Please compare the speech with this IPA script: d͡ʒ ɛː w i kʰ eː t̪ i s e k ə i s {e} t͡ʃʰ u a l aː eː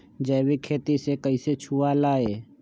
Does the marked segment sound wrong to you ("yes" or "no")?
no